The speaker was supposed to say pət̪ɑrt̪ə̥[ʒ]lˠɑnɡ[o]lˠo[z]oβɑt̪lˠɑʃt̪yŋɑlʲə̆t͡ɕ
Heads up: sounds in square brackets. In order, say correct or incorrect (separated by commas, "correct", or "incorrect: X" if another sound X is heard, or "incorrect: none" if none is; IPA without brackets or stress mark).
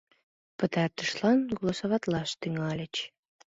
incorrect: ʃ, correct, incorrect: s